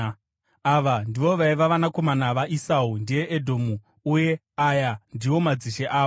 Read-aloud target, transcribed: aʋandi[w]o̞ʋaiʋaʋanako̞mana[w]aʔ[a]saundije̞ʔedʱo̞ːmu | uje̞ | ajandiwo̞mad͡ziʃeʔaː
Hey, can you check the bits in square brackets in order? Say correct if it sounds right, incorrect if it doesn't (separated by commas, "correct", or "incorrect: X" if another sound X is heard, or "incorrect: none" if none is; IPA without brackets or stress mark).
incorrect: ʋ, incorrect: ʋ, incorrect: i